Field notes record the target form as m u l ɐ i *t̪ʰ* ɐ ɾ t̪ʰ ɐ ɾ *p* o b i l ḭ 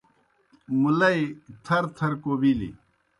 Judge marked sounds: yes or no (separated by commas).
yes, no